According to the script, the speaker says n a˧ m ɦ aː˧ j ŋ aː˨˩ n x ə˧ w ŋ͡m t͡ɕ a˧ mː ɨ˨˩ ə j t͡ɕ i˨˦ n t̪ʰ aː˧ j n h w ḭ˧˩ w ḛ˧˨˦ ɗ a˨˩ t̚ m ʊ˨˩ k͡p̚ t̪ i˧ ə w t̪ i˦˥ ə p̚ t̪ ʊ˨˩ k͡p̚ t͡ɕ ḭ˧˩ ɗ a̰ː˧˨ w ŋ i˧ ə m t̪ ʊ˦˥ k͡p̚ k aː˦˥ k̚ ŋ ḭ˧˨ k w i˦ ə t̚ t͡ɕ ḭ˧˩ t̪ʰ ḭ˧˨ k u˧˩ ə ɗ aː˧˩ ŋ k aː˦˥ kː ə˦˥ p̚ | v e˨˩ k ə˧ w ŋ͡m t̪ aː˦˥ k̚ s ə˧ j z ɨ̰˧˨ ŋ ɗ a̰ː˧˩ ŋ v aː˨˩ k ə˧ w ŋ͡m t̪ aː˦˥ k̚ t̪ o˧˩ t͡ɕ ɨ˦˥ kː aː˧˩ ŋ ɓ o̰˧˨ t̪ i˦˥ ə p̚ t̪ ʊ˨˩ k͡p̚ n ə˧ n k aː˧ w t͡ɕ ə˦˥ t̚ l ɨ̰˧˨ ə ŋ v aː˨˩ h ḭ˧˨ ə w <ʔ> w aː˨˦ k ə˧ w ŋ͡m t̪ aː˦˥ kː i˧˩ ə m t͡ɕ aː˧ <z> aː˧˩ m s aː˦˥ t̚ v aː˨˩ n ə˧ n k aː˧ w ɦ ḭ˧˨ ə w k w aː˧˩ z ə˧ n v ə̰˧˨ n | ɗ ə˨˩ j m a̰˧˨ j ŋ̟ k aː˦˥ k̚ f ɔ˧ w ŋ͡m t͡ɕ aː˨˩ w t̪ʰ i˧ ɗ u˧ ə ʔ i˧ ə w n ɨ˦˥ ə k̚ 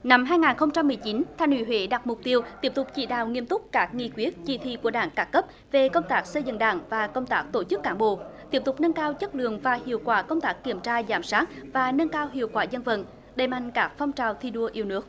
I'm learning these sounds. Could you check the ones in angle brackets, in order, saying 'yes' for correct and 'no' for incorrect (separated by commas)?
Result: no, yes